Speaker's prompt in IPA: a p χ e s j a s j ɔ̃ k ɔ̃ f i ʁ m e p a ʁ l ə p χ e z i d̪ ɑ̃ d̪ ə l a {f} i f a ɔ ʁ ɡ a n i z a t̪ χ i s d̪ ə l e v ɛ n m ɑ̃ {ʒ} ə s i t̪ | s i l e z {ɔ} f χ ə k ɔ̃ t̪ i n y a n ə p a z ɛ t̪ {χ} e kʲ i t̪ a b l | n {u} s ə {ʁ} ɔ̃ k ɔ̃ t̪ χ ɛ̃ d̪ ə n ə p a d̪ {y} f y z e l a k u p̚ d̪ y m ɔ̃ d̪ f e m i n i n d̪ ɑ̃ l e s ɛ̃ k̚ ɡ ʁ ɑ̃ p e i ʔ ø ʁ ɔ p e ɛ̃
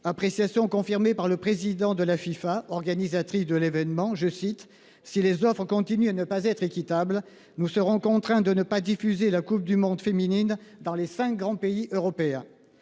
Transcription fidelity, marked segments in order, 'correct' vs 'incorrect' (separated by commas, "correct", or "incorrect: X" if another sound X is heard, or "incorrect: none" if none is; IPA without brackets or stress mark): correct, correct, correct, correct, correct, correct, incorrect: i